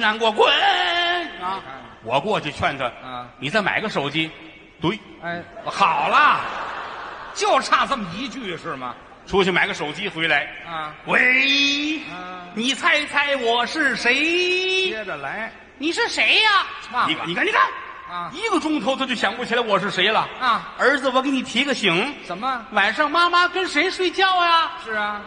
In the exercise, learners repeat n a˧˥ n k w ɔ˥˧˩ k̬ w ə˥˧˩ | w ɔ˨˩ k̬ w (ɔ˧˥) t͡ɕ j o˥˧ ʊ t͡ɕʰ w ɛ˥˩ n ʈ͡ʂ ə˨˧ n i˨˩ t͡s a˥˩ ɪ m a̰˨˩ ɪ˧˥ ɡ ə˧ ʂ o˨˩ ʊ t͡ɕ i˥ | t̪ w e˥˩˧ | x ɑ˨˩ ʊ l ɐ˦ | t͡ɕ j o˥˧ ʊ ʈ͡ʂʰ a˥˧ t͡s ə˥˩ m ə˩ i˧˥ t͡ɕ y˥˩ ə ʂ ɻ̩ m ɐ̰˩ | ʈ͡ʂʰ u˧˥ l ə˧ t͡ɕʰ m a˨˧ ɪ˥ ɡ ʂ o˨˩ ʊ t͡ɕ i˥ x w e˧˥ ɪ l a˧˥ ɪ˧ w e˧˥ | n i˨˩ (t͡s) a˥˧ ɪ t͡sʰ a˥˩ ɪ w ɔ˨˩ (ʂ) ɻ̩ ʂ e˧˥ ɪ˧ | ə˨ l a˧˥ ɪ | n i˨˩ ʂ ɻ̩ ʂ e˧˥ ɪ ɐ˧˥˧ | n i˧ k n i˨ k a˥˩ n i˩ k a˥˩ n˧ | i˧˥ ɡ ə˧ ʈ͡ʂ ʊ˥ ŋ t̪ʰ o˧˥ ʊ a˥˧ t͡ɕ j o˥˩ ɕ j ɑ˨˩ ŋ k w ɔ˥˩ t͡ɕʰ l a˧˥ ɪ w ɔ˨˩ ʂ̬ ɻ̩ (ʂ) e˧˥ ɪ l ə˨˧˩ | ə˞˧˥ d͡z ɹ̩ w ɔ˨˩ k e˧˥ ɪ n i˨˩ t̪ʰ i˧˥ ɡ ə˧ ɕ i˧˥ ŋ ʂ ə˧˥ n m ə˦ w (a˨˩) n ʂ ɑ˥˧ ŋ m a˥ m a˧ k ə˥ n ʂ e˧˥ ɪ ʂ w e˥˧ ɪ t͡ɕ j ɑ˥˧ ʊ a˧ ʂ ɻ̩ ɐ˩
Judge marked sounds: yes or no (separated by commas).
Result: no, no, yes, yes, yes